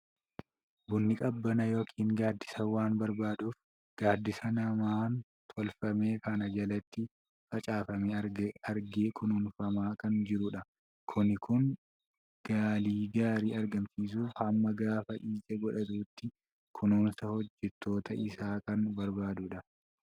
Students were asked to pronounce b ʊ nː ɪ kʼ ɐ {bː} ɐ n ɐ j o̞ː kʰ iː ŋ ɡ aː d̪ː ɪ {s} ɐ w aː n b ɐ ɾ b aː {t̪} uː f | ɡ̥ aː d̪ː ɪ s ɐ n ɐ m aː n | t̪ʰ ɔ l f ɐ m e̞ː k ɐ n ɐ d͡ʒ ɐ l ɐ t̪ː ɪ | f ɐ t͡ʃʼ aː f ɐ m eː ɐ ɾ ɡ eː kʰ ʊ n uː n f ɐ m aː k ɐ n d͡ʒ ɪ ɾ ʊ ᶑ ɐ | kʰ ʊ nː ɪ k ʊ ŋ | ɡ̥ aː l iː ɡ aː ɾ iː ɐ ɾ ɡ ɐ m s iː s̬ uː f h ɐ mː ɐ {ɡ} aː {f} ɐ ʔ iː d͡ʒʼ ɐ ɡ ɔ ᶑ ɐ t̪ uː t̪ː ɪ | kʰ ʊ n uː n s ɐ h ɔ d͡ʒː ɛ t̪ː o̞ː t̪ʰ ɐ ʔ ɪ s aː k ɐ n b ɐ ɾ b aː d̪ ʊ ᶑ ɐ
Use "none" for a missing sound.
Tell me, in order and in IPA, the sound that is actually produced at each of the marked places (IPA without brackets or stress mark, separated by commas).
bː, s, d̪, ɡ, f